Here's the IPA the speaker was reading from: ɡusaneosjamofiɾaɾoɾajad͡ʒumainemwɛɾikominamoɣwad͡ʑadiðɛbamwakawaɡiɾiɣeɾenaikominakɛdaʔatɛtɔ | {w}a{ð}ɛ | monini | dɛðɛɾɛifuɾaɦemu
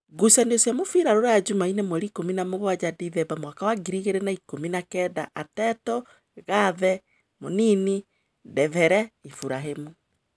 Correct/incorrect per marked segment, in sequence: incorrect, correct

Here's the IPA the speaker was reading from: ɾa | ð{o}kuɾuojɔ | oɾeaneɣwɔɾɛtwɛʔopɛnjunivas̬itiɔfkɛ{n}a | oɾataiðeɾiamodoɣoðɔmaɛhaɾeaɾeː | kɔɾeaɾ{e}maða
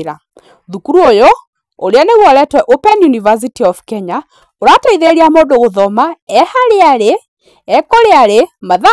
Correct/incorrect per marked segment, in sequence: incorrect, incorrect, correct

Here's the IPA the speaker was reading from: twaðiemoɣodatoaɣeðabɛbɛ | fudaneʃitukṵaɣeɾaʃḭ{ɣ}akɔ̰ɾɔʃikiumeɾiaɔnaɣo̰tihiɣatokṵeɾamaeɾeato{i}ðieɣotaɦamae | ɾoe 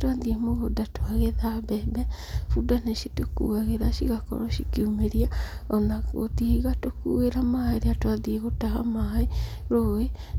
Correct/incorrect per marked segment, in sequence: correct, incorrect

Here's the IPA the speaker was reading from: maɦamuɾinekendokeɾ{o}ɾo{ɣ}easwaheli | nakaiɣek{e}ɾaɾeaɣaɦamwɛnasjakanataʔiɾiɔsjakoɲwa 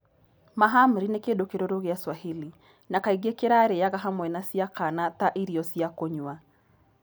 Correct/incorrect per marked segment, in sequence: correct, correct, correct

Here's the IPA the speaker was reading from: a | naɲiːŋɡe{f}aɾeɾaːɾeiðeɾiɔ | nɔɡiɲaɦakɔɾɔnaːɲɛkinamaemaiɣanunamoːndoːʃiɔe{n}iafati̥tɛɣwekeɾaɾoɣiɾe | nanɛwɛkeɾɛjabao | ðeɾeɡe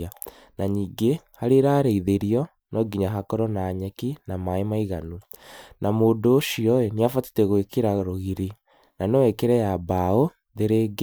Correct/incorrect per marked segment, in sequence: incorrect, correct

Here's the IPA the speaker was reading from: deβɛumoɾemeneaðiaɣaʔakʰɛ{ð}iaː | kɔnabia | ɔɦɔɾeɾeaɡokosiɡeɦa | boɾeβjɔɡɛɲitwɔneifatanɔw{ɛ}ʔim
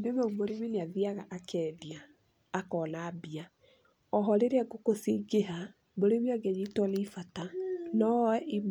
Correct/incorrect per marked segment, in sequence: correct, correct

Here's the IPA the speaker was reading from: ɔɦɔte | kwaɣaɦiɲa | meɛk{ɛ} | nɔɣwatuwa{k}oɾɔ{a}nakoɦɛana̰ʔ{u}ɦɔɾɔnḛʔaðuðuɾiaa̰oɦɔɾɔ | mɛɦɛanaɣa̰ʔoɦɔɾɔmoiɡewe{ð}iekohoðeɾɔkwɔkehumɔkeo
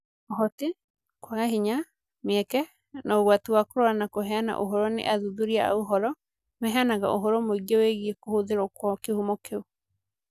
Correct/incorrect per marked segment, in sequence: correct, correct, correct, incorrect, incorrect

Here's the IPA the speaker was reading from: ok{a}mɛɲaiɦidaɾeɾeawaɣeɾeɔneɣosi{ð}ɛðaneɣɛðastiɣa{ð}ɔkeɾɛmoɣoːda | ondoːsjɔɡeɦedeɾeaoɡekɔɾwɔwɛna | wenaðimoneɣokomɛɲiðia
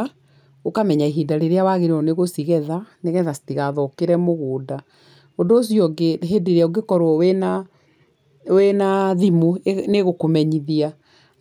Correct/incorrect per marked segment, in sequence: correct, incorrect, correct

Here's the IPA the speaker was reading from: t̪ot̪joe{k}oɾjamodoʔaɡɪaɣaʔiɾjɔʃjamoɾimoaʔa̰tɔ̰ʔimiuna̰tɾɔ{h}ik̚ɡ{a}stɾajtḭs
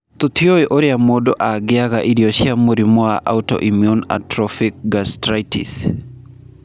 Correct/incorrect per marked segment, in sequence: incorrect, incorrect, correct

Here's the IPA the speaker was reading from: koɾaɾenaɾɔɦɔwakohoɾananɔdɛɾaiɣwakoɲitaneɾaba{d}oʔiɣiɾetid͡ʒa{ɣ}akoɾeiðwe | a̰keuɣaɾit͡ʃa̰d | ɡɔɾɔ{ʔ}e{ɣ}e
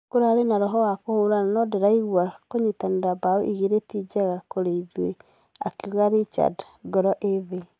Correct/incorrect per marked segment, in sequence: incorrect, correct, correct, incorrect

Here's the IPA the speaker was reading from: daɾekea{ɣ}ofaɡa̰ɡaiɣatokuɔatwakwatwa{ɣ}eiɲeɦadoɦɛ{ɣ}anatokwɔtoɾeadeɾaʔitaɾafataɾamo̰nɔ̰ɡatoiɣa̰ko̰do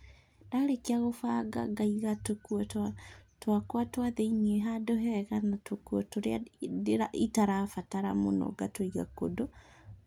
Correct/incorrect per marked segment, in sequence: correct, incorrect, correct

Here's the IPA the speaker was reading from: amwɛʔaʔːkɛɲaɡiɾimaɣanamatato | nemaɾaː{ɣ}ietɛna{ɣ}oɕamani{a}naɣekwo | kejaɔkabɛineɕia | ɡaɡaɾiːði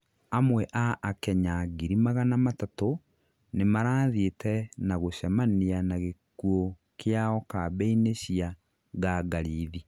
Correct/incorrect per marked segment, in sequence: incorrect, correct, correct

